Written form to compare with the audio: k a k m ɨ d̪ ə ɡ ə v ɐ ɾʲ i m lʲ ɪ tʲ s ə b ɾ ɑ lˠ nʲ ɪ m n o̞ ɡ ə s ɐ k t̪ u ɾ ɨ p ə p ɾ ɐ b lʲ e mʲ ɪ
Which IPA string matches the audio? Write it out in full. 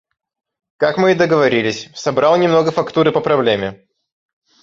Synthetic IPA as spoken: k a k m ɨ d̪ ə ɡ ə v ɐ ɾʲ i lʲ ɪ sʲ s ɐ b ɾ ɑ lˠ nʲ ɪ m n o̞ ɡ ə f ɐ k t̪ u ɾ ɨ p ə p ɾ ɐ b lʲ e mʲ ɪ